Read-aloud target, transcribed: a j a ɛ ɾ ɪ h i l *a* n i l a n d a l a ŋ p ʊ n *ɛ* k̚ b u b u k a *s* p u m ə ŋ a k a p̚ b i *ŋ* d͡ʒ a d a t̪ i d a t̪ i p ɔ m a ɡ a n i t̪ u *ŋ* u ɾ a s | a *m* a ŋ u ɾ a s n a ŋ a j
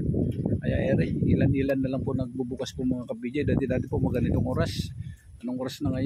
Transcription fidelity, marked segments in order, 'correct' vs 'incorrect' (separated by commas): correct, incorrect, correct, incorrect, correct, incorrect